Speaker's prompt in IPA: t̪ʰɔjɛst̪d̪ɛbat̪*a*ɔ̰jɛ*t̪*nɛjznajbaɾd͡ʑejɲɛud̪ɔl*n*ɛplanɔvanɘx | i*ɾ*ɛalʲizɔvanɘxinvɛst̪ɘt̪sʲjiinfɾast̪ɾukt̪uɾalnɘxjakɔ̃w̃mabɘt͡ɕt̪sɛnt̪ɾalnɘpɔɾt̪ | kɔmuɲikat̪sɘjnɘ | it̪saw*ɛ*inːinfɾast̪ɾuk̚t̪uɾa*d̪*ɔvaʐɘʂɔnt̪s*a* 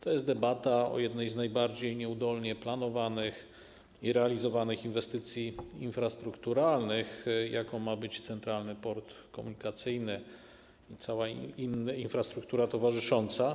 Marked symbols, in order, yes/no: yes, no, no, yes, no, no, yes

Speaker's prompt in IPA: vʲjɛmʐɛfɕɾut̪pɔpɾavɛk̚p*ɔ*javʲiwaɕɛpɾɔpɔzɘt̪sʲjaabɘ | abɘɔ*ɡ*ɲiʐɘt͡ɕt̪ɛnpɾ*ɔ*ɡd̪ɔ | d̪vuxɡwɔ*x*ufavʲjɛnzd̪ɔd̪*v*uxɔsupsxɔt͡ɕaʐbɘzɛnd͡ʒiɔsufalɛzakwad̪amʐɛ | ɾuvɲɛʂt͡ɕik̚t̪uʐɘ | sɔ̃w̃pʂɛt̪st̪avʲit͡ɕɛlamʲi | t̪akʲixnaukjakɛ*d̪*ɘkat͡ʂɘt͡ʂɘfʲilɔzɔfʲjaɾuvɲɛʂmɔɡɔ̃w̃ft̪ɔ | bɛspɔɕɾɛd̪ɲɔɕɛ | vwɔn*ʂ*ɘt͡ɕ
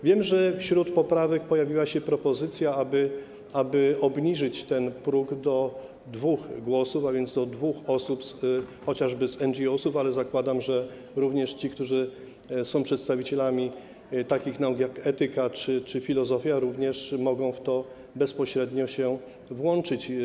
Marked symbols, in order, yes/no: yes, no, no, no, yes, no, no

